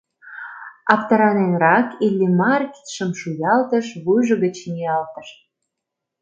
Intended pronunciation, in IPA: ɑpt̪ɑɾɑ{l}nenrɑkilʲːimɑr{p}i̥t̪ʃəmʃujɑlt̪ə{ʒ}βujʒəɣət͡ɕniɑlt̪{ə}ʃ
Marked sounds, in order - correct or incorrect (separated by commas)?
incorrect, incorrect, incorrect, correct